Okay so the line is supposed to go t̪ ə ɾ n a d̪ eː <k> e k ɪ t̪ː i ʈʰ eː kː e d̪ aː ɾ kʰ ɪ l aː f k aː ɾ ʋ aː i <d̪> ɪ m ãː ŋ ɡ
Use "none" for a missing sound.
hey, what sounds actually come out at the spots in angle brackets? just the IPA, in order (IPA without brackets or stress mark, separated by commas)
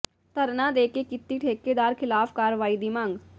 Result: k, d̪